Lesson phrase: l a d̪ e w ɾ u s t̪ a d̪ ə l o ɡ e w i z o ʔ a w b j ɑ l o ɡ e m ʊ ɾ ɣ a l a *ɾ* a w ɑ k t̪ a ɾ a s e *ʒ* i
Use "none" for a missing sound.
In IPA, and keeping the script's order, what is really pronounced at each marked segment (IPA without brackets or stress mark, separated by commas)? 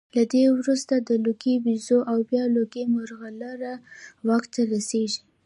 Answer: ɾ, ʒ